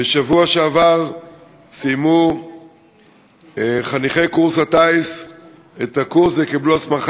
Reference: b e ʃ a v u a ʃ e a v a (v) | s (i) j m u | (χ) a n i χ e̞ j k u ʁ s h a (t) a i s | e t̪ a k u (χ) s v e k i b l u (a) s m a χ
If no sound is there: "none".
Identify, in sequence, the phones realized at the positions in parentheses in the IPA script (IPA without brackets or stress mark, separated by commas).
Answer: ʁ, i, χ, t, ʁ, a